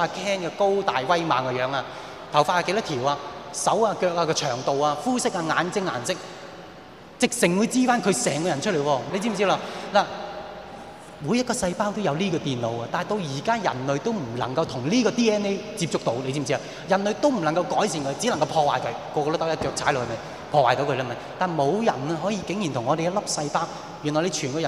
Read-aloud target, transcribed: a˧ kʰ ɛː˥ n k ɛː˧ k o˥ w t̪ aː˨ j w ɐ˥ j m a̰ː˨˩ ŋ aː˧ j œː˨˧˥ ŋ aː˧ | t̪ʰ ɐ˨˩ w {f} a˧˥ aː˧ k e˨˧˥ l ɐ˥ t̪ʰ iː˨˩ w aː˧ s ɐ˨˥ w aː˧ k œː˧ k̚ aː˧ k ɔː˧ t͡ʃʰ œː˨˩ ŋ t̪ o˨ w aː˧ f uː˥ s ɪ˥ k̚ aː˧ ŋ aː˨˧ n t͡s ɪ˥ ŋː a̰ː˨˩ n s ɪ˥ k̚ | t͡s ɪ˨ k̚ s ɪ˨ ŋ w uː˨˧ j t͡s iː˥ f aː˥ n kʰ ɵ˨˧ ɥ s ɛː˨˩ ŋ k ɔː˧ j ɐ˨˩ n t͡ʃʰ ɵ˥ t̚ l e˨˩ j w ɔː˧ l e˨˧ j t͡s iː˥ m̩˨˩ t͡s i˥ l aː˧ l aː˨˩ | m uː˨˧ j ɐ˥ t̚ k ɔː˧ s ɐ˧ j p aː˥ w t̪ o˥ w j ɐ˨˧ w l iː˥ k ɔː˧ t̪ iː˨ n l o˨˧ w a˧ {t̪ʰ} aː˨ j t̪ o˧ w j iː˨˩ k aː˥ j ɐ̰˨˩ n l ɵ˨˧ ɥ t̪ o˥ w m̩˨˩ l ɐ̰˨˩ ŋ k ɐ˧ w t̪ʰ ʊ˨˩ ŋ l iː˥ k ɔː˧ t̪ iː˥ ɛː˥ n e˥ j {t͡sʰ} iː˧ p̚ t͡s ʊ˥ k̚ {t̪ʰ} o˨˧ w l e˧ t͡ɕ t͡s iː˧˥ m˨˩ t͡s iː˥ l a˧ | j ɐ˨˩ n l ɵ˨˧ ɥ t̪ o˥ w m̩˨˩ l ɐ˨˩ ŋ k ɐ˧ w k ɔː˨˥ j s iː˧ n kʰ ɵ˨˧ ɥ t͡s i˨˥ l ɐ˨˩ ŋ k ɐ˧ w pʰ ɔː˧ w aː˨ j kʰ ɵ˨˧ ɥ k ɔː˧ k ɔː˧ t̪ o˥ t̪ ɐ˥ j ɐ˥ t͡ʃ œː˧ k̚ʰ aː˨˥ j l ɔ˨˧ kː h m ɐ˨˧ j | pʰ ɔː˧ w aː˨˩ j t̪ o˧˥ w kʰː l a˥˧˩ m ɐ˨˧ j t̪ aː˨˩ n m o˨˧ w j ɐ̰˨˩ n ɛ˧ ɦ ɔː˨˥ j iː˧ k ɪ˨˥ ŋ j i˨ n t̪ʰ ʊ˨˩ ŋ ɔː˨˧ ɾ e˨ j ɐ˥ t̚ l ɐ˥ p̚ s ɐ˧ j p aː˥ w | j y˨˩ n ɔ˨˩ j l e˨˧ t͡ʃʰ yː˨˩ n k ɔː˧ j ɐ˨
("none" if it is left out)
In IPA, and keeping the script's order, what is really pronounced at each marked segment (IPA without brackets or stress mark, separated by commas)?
f, t̪, t͡s, t̪